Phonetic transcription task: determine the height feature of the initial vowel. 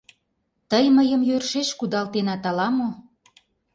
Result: mid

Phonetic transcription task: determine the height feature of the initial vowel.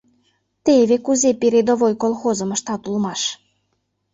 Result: mid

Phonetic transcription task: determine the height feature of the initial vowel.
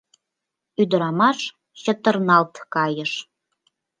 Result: high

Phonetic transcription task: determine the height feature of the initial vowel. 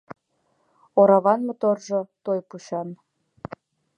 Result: mid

